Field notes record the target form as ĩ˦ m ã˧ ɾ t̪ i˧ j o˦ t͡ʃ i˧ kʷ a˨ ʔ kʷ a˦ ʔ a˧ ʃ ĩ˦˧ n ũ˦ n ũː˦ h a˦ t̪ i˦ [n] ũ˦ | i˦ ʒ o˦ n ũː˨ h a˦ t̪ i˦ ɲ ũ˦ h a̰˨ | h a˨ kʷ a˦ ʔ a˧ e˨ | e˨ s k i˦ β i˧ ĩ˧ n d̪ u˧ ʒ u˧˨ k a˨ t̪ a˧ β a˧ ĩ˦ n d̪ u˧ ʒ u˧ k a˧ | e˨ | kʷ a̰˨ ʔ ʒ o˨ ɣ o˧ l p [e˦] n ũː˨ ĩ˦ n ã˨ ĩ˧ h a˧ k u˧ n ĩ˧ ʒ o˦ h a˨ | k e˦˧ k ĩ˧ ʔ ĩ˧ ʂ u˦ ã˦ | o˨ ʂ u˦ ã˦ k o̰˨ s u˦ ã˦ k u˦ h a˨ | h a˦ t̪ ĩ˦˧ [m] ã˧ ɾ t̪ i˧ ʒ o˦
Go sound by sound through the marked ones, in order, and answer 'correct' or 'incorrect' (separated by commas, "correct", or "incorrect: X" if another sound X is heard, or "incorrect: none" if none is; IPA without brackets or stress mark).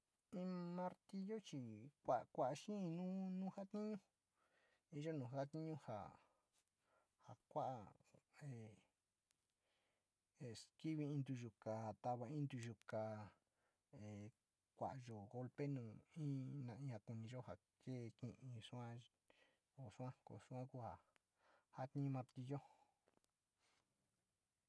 incorrect: ɲ, correct, correct